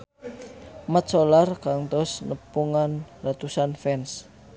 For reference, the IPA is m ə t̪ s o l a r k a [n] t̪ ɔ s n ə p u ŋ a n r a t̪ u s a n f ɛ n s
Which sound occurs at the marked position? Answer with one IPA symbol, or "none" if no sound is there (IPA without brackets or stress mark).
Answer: ŋ